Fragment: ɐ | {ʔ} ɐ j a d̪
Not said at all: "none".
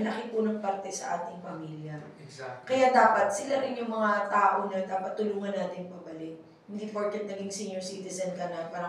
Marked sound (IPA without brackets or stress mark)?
k